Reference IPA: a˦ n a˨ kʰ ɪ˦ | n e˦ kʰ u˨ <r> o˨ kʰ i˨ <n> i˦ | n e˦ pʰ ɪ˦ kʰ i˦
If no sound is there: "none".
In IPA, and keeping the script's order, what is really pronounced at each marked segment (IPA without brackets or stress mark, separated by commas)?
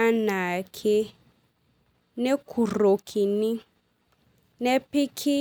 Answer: r, n